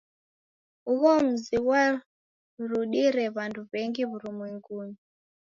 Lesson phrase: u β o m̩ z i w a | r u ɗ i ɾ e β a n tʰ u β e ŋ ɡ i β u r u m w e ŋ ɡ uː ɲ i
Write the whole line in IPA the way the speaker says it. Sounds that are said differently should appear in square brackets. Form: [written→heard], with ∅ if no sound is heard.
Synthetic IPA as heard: u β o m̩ z i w a | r u ɗ i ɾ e β a n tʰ u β e ŋ ɡ i β u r u m w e ŋ ɡ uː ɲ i